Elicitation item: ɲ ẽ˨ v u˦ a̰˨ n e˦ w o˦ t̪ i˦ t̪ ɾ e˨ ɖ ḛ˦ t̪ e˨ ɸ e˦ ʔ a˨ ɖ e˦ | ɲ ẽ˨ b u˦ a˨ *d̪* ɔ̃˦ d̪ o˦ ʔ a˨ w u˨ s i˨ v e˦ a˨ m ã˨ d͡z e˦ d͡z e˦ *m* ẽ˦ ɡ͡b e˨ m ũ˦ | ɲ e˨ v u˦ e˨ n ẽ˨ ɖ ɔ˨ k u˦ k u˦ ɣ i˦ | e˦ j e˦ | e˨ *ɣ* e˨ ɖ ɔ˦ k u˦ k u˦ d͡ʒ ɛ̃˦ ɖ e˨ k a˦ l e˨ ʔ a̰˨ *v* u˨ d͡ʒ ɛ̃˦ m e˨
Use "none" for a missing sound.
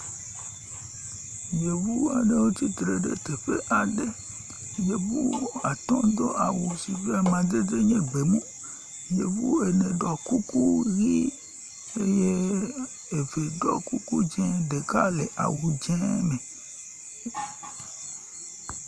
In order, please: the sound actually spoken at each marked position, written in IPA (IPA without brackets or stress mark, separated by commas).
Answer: t̪, ɲ, v, w